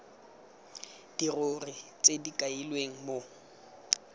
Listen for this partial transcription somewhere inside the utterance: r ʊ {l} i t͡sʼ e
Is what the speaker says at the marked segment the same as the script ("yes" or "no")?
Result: no